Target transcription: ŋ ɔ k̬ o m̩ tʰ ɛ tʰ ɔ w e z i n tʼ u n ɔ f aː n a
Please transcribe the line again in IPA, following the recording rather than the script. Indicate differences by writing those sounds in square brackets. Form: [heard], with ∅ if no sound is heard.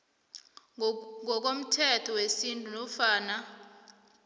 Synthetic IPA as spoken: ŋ ɔ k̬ o m̩ tʰ ɛ tʰ ɔ w e [s] i n tʼ u n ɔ f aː n a